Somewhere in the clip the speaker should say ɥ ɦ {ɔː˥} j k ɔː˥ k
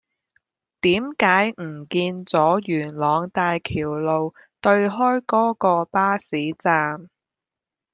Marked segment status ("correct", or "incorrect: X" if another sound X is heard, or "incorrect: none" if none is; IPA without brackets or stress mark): correct